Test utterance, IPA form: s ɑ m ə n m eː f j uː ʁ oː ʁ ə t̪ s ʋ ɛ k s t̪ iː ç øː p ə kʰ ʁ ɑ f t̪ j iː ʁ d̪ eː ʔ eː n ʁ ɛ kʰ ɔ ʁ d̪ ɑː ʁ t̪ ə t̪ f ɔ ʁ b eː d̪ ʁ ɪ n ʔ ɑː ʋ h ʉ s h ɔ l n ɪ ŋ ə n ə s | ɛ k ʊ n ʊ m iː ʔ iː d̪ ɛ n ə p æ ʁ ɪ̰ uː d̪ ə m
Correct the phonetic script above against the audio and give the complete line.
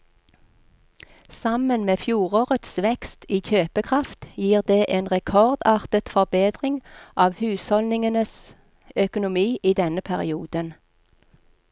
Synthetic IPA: s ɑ m ə n m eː f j uː ʁ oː ʁ ə t̪ s ʋ ɛ k s t̪ iː ç øː p ə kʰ ʁ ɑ f t̪ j iː ʁ d̪ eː ʔ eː n ʁ ɛ kʰ ɔ ʁ d̪ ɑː ʁ t̪ ə t̪ f ɔ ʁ b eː d̪ ʁ ɪ ŋ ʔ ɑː ʋ h ʉː s h ɔ l n ɪ ŋ ə n ə s | œ k ʊ n ʊ m iː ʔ iː d̪ ɛ n ə pʰ æ ʁ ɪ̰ uː d̪ ə n